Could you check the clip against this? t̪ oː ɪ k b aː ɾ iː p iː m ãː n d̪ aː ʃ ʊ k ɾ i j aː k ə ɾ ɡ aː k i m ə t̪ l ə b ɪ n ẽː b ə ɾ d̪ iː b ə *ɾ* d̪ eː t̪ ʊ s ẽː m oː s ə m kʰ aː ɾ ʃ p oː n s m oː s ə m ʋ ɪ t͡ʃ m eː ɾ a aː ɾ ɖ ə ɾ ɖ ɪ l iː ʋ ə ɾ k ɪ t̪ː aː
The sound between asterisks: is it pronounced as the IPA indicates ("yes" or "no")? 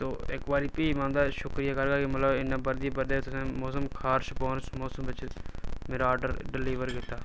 yes